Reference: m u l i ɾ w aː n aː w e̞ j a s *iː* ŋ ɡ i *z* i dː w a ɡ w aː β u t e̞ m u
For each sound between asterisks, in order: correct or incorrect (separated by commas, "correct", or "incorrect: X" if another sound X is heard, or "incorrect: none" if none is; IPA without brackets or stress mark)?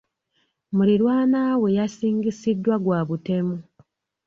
correct, incorrect: s